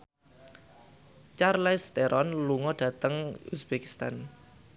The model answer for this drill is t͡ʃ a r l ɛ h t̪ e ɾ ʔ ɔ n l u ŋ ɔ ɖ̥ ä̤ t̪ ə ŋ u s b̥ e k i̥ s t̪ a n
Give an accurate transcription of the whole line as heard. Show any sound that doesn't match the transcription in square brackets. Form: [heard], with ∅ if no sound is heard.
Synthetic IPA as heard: t͡ʃ a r l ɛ [s] t̪ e ɾ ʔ ɔ n l u ŋ ɔ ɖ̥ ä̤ t̪ ə ŋ u s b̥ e k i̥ s t̪ a n